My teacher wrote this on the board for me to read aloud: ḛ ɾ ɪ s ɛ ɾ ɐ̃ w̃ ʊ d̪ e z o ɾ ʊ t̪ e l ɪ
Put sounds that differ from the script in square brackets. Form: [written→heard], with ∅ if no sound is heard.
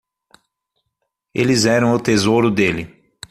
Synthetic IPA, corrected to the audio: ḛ [ɾ→l] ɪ [s→z] ɛ ɾ ɐ̃ w̃ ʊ [d̪→t̪] e z o ɾ ʊ [t̪→d̪] e l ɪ